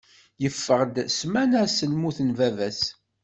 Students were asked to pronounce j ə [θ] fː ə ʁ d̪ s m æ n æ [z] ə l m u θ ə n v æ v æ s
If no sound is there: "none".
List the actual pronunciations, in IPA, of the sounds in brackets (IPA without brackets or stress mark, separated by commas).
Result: none, s